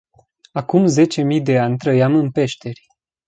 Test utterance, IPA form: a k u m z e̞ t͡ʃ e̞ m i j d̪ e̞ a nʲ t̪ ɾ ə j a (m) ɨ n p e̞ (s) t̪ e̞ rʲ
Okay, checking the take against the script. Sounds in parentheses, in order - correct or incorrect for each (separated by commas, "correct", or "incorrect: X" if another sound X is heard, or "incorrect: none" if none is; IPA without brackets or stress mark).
correct, incorrect: ʃ